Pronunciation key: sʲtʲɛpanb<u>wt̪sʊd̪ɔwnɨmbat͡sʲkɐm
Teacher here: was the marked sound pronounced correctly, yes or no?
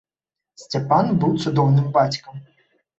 yes